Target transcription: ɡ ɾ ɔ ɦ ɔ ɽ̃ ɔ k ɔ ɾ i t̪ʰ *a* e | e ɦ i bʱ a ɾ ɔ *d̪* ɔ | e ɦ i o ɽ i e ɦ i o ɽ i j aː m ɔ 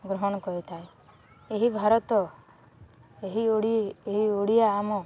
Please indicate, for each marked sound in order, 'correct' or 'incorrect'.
correct, incorrect: t̪

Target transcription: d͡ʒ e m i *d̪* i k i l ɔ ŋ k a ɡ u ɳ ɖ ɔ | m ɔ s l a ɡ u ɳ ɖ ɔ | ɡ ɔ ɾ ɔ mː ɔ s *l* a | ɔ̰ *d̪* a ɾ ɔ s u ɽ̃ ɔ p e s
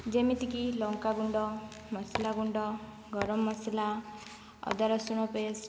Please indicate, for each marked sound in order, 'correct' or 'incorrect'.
incorrect: t̪, correct, correct

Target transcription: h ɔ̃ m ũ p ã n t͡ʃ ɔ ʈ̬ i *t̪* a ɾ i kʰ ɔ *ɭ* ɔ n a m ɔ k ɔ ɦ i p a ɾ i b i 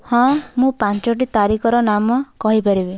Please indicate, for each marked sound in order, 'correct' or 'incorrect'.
correct, incorrect: ɾ

